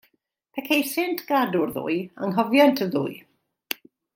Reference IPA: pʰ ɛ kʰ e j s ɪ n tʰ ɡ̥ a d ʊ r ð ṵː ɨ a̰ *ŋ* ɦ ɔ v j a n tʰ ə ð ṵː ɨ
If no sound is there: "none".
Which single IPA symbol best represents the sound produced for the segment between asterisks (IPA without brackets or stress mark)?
ŋ